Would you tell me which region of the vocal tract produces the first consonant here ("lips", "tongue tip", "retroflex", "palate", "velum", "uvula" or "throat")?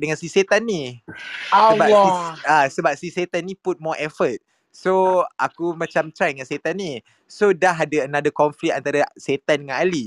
tongue tip